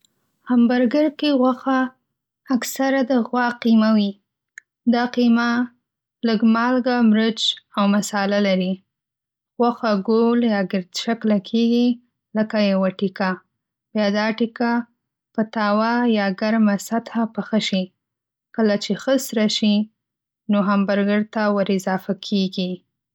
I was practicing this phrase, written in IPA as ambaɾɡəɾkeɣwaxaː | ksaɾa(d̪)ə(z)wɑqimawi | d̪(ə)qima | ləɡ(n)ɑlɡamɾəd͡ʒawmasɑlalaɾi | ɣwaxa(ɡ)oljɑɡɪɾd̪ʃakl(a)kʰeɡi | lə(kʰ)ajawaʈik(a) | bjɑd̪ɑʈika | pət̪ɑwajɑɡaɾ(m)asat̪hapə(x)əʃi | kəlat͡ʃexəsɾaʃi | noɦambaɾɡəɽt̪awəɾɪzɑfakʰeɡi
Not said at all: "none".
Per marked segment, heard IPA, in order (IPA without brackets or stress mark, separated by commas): d̪, ɣ, ɑ, m, ɡ, a, k, a, m, x